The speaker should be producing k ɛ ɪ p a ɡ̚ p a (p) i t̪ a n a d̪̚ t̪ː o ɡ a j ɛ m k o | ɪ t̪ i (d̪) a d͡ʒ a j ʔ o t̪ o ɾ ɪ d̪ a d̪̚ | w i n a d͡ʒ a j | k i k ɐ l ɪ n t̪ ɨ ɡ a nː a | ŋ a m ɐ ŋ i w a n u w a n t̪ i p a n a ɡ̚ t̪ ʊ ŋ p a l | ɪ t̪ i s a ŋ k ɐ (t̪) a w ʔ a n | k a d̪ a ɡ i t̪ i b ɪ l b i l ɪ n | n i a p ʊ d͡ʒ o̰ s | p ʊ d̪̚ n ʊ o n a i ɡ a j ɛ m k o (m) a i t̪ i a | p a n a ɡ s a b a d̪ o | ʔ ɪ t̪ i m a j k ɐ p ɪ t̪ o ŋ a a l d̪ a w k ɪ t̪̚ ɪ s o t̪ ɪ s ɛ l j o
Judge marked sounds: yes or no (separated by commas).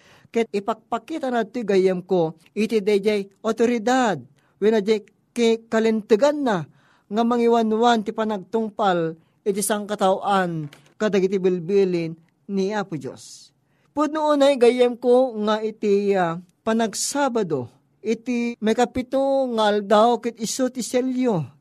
no, yes, yes, no